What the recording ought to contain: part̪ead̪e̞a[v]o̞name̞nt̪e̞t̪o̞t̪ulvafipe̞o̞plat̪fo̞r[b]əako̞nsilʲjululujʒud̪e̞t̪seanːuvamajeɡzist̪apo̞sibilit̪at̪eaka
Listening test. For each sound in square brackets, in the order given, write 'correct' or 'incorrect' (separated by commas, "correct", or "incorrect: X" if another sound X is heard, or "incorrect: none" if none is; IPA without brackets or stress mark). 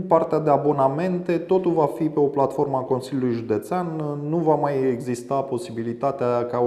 incorrect: b, incorrect: m